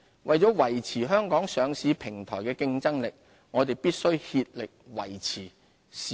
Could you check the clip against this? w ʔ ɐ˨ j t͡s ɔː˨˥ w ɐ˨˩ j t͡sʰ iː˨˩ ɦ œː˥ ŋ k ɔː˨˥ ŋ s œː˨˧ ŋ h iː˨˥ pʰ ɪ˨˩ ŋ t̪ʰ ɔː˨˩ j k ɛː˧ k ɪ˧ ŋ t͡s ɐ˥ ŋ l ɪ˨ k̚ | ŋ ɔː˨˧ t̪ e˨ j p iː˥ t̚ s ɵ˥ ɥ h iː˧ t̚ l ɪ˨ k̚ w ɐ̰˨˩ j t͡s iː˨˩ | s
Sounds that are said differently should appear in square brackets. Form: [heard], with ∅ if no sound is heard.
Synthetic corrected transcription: w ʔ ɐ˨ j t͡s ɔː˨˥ w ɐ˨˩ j t͡sʰ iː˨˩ ɦ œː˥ ŋ k ɔː˨˥ ŋ s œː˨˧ ŋ [s] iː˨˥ pʰ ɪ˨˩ ŋ t̪ʰ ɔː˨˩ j k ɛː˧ k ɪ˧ ŋ t͡s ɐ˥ ŋ l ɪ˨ k̚ | ŋ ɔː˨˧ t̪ e˨ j p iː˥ t̚ s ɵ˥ ɥ h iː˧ t̚ l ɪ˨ k̚ w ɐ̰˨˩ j [t͡sʰ] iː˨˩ | s